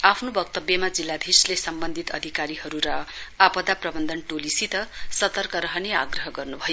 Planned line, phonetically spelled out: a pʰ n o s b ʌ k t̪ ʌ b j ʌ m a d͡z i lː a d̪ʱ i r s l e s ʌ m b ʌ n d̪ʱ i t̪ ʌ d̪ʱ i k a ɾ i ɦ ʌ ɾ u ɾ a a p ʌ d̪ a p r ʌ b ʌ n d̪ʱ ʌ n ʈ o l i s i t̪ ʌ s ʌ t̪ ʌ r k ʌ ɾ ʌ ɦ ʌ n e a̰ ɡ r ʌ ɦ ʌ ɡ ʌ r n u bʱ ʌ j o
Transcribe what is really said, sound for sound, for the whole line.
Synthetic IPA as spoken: a pʰ n o b ʌ k t̪ ʌ b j ʌ m a d͡z i lː a d̪ʱ i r s l e s ʌ m b ʌ n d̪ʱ i t̪ ʌ d̪ʱ i k a ɾ i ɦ ʌ ɾ u ɾ ʌ a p ʌ d̪ a p r ʌ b ʌ n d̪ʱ ʌ n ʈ o l i s i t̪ ʌ s ʌ t̪ ʌ r k ʌ ɾ ʌ ɦ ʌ n e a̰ ɡ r ʌ ɦ ʌ ɡ ʌ r n u bʱ ʌ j o

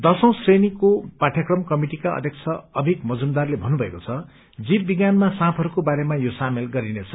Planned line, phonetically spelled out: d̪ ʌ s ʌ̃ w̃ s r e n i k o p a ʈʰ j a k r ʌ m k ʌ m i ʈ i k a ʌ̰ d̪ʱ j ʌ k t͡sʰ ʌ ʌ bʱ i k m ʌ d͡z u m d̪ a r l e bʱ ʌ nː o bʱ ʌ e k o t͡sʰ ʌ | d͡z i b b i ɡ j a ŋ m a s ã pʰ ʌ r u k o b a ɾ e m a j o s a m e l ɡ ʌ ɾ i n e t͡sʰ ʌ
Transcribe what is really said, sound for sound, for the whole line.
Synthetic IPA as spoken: d̪ ʌ s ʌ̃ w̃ s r e n i k o p a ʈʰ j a k r ʌ m k ʌ m i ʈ i k a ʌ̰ d̪ʱ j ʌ k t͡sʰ ʌ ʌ bʱ i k m ʌ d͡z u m d̪ a r l e bʱ ʌ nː u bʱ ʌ e k o t͡sʰ ʌ | d͡z i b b i ɡ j a n m a s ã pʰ ʌ ɾ u k o b a ɾ e m a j o s a m e l ɡ ʌ ɾ i n e t͡sʰ ʌ

